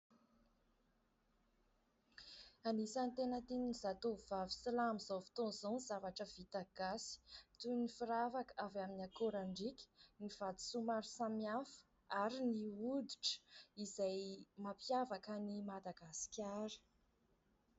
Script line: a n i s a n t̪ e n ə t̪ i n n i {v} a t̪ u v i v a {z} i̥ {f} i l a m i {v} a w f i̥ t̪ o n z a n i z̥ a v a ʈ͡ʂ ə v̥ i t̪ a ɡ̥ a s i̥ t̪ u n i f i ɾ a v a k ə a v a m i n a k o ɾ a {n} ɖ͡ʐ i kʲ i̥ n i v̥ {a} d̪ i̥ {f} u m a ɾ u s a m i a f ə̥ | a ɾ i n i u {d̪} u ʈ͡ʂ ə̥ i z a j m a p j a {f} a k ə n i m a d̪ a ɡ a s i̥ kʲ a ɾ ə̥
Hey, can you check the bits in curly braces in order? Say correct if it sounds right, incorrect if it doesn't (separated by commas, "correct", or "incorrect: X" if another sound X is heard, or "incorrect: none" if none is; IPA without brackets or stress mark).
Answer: incorrect: z, incorrect: v, incorrect: s, incorrect: z, incorrect: ɳ, correct, incorrect: s, correct, incorrect: v